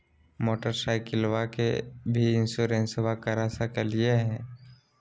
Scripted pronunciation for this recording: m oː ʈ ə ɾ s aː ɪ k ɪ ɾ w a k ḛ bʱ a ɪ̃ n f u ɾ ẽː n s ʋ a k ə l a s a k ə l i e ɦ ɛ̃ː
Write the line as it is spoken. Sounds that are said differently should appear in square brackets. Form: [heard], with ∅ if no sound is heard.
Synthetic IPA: m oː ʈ ə ɾ s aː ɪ k ɪ [l] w a k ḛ bʱ [i] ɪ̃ n [s] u ɾ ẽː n s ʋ a k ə [ɾ] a s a k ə l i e ɦ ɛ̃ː